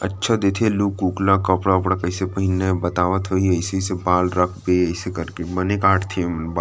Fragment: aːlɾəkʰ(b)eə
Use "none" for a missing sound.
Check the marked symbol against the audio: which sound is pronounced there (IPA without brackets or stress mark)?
b